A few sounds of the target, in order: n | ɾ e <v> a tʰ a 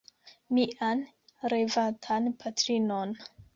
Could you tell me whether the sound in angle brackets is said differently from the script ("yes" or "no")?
no